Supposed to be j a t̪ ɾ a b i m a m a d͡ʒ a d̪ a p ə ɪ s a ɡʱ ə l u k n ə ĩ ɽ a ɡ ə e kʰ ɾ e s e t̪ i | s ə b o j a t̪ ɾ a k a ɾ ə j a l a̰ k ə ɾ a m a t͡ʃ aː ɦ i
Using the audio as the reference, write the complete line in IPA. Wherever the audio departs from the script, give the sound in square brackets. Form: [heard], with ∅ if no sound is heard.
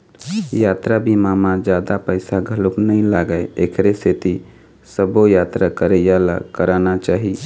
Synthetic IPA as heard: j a t̪ ɾ a b i m a m a d͡ʒ a d̪ a p ə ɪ s a ɡʱ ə l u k n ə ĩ [l] a ɡ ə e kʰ ɾ e s e t̪ i | s ə b o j a t̪ ɾ a k [ə] ɾ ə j a l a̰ k ə ɾ a [n] a t͡ʃ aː ɦ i